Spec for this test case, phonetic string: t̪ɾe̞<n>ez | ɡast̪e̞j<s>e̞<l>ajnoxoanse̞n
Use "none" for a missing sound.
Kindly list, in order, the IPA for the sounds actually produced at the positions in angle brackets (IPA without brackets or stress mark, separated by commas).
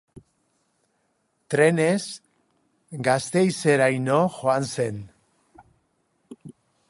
n, s, ɾ